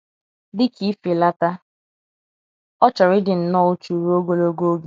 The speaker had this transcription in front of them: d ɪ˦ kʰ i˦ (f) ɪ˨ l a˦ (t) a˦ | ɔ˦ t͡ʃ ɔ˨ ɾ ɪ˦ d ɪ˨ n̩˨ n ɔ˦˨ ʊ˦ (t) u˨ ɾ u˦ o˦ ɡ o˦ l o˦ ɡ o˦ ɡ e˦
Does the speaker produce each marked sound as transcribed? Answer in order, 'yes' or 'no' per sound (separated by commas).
yes, yes, no